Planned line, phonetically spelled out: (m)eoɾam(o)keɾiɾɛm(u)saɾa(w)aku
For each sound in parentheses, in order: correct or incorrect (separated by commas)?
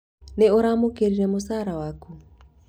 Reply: incorrect, correct, incorrect, correct